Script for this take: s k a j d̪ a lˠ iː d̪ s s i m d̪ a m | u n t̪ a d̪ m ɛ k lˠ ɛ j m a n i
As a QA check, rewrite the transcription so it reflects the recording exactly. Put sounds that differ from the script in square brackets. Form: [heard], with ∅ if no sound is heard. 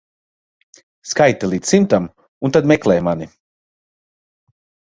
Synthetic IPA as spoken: s k a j [t̪] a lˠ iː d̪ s s i m [t̪] a m | u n t̪ a d̪ m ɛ k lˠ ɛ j m a n i